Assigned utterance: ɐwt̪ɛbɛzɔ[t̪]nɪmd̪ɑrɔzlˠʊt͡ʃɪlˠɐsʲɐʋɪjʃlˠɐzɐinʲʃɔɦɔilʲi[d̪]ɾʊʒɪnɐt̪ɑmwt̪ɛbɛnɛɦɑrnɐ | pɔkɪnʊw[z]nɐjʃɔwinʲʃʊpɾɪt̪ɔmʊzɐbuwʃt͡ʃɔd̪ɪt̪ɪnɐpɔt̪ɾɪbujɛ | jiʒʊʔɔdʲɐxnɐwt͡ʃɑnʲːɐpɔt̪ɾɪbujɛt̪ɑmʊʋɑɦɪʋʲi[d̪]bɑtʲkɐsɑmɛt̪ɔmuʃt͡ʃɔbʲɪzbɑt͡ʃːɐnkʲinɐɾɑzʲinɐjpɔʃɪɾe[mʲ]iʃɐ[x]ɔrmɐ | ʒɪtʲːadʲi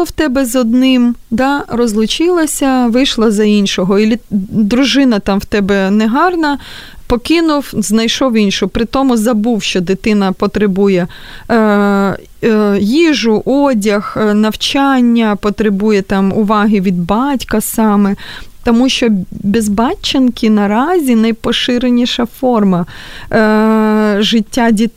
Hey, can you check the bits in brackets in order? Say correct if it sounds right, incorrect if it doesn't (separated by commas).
incorrect, correct, correct, correct, incorrect, incorrect